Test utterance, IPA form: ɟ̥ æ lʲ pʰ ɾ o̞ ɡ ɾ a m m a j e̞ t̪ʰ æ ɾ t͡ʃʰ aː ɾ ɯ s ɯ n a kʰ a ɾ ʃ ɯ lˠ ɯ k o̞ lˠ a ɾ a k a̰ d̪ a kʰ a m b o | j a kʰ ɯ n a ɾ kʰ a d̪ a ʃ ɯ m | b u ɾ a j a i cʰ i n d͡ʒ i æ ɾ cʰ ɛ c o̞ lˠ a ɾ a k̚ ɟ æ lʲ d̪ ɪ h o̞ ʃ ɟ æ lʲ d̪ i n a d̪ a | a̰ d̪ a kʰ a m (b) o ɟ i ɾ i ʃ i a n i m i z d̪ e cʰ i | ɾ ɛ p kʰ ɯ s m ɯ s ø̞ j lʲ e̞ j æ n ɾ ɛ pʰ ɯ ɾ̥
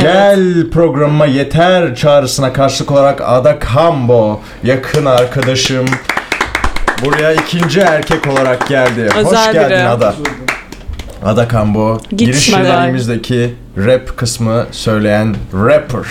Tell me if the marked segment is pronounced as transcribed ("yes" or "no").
yes